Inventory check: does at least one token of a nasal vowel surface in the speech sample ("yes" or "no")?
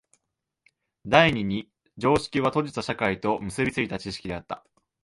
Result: no